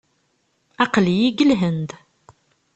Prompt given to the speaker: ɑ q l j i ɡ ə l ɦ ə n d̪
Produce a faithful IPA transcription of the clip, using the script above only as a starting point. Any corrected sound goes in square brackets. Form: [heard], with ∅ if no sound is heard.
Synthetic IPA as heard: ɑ q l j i ɡ ə l ɦ ə n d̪